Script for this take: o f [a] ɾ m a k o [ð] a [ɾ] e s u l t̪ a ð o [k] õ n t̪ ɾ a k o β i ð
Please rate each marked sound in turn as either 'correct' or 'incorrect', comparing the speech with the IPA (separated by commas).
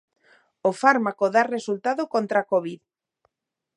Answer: correct, correct, incorrect, correct